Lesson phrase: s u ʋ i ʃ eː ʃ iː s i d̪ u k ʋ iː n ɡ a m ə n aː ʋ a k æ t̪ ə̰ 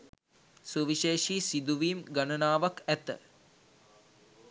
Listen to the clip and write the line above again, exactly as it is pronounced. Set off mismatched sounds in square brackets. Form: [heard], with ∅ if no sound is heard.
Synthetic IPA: s u ʋ i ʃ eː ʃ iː s i d̪ u [∅] ʋ iː [m] ɡ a [n] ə n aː ʋ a k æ t̪ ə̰